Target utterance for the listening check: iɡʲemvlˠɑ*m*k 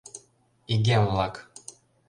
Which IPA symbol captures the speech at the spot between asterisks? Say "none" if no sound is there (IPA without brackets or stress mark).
none